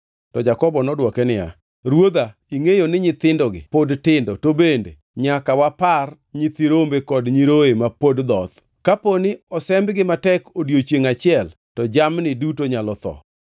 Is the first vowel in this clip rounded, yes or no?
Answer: yes